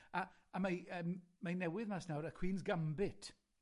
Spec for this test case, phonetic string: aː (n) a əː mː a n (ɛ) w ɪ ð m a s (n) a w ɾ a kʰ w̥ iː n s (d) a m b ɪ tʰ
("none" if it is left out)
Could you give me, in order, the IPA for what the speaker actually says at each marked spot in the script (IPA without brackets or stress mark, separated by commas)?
m, ɛ, n, ɡ